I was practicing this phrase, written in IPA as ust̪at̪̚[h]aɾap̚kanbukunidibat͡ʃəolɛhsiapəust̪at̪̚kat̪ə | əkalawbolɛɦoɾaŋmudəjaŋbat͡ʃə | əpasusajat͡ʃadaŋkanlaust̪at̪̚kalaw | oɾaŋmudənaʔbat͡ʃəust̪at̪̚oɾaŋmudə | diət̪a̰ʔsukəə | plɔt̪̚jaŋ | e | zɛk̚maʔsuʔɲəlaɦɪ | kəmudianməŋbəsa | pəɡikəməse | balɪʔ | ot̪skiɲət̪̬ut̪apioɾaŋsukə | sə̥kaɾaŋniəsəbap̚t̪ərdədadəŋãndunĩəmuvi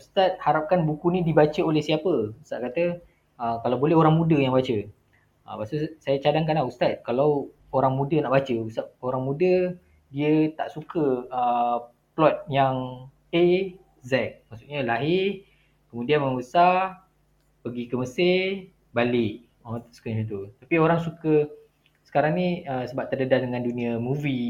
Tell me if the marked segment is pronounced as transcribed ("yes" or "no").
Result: yes